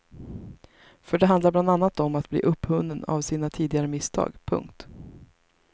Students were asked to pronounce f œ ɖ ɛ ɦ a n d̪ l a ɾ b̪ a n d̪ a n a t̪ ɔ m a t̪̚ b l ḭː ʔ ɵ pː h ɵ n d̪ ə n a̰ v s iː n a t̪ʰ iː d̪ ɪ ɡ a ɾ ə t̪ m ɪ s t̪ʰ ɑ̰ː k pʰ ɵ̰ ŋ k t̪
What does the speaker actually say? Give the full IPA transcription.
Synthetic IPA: f œ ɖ ɛ ɦ a n d̪ l a ɾ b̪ a n d̪ a nː a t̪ ɔ m a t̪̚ b l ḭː ʔ ɵ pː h ɵ n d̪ ə n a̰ v s iː n a t̪ʰ iː d̪ ɪ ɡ a ɾ ə m ɪ s t̪ʰ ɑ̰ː ɡ pʰ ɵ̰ ŋ k t̪